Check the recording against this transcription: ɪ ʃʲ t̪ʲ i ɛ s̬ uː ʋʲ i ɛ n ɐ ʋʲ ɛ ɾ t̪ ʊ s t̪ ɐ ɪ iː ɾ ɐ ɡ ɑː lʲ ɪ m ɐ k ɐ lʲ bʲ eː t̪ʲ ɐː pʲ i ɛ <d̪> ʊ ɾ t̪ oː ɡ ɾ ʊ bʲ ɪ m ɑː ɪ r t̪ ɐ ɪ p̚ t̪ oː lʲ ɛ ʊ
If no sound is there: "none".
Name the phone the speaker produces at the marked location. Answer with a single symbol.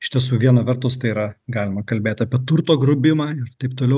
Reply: t̪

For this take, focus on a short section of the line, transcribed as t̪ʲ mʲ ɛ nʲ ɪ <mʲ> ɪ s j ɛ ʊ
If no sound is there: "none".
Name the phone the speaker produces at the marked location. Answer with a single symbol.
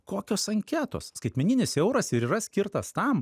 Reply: nʲ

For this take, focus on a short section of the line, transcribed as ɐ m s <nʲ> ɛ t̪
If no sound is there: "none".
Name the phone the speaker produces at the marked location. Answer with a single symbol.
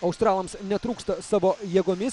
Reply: nʲ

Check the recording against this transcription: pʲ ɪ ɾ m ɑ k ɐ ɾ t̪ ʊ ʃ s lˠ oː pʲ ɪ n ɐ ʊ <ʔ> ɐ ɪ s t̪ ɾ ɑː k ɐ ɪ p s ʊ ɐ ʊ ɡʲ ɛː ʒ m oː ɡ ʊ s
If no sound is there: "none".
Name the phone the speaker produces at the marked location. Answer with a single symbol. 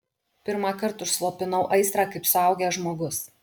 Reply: ʔ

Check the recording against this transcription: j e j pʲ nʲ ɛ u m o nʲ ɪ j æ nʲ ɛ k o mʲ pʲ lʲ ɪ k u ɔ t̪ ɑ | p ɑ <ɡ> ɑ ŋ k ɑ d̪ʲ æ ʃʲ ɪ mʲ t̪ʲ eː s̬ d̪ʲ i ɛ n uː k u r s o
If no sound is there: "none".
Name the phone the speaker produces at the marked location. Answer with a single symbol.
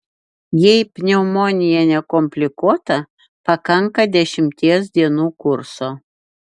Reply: k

